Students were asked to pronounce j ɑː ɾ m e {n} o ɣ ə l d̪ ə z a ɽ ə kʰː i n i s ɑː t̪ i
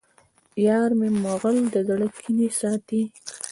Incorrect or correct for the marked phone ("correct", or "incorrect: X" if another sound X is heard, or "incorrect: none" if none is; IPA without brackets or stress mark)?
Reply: incorrect: m